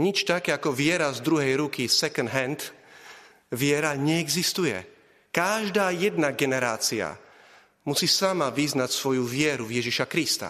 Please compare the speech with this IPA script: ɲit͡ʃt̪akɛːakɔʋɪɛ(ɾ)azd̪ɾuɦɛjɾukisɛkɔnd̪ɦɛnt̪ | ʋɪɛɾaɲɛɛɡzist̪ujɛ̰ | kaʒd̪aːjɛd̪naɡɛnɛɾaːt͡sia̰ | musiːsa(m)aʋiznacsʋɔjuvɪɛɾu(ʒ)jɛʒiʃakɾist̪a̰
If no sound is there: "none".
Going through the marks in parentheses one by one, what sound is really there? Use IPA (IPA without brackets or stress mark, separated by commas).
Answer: ɾ, m, v